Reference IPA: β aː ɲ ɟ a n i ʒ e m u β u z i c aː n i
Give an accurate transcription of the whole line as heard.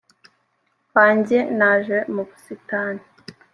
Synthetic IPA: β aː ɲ ɟ e n a ʒ e m u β u s i t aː n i